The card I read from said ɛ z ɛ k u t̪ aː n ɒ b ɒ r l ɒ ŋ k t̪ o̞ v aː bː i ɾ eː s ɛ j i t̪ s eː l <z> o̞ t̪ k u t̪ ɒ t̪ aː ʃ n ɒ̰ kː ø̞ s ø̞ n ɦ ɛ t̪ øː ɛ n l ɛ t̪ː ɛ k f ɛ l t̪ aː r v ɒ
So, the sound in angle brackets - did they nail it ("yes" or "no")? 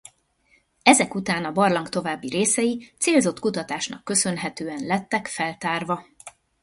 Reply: yes